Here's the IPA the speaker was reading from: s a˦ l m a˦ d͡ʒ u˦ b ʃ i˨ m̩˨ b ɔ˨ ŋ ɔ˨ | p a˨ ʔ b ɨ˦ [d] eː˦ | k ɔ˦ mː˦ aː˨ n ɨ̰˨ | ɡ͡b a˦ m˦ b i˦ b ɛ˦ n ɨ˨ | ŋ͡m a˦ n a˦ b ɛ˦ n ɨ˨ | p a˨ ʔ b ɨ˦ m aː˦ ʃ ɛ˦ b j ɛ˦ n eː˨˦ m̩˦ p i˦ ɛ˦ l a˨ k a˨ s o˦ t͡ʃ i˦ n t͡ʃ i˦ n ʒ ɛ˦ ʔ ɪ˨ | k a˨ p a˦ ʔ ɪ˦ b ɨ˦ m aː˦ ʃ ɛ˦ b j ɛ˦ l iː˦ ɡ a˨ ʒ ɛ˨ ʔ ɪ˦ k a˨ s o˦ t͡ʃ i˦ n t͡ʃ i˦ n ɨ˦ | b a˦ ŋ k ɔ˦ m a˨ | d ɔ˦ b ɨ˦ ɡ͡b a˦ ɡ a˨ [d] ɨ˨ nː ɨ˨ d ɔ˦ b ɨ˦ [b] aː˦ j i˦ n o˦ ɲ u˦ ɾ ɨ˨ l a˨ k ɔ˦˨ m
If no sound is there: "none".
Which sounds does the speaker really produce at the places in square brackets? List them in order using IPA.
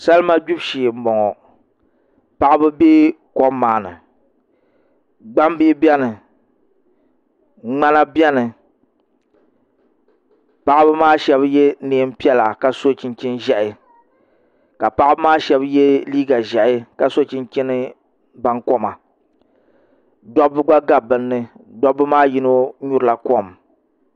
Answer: b, b, m

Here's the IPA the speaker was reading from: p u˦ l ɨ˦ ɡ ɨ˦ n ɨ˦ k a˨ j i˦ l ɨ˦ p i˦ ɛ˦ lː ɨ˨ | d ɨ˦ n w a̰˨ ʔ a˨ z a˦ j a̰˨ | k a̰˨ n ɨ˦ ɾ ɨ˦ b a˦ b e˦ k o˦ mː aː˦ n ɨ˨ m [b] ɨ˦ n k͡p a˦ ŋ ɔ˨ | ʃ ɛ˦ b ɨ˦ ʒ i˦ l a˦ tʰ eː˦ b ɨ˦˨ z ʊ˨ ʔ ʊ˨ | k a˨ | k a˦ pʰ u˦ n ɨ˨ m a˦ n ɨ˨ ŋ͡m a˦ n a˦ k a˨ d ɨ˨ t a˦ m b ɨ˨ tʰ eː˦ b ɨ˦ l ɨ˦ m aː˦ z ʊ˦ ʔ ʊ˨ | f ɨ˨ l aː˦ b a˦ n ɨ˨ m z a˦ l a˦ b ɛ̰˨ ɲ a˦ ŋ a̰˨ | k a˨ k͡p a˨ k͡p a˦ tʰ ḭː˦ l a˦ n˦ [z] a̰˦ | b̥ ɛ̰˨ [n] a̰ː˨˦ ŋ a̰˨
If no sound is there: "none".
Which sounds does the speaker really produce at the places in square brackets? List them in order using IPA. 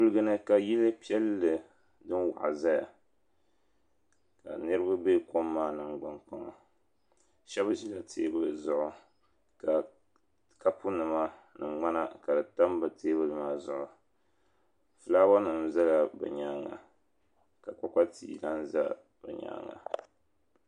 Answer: ɡ͡b, z, ɲ

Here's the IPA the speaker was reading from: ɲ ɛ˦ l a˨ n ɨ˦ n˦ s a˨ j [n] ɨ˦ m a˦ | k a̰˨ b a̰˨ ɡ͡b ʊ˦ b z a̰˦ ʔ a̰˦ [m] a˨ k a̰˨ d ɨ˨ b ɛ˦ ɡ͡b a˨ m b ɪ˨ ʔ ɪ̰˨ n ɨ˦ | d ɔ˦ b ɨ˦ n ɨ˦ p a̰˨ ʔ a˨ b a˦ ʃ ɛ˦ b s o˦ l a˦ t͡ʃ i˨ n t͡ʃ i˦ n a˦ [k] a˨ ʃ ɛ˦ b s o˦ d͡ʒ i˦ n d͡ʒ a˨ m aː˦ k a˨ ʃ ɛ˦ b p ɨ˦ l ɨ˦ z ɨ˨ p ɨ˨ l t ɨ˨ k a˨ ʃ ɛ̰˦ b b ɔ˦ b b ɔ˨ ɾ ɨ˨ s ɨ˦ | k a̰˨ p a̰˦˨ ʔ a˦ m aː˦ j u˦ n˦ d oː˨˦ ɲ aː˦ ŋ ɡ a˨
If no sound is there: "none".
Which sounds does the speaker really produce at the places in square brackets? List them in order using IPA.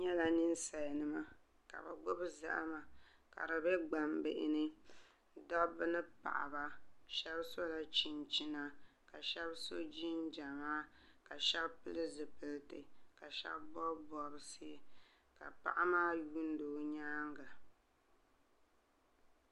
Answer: n, m, k

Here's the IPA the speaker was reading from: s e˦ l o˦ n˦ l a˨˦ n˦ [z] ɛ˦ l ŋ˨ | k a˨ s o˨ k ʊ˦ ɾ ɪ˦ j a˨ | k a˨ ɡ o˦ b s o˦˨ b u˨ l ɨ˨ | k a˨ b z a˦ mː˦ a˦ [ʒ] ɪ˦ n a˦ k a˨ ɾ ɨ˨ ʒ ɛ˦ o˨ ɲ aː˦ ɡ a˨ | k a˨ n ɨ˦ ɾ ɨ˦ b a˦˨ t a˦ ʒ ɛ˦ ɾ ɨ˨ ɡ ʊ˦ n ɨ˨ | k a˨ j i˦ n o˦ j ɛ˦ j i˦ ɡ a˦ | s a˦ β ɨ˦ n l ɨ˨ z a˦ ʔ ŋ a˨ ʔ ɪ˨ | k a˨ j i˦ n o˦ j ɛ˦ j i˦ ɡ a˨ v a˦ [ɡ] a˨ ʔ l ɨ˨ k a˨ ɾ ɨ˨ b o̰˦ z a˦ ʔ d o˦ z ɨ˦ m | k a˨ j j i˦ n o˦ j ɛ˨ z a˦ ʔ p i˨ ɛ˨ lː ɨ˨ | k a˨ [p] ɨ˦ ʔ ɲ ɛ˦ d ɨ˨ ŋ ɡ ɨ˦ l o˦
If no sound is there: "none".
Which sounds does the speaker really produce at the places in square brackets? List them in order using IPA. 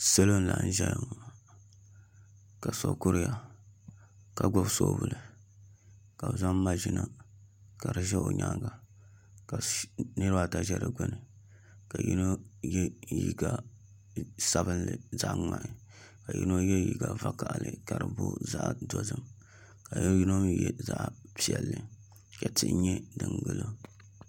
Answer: ʒ, ʒ, k, t

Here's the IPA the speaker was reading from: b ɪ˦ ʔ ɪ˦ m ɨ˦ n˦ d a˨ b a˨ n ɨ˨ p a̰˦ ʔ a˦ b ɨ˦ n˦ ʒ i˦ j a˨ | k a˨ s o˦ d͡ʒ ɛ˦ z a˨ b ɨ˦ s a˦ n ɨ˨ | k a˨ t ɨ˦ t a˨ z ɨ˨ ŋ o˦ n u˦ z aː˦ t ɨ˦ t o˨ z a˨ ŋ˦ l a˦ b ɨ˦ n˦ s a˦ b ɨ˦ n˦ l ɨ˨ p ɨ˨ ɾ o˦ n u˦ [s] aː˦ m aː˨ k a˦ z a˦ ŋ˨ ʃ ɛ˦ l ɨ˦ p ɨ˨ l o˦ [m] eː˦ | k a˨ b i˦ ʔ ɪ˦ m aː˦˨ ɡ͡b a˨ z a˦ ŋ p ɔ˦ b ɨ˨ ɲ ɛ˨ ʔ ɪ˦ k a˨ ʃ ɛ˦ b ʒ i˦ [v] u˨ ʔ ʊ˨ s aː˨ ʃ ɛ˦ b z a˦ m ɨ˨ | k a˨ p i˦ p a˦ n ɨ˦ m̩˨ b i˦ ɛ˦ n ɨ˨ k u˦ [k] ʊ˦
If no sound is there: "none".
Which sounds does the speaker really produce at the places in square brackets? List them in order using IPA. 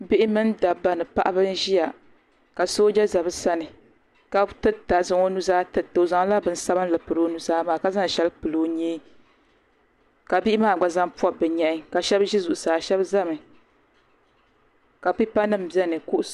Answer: z, ɲ, z, ʔ

